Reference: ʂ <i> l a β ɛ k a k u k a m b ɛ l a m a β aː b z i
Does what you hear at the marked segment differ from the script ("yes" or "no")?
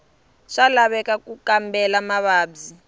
yes